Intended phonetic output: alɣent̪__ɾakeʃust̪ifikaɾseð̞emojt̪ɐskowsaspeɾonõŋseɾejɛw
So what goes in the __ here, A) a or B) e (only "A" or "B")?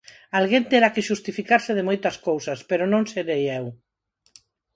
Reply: B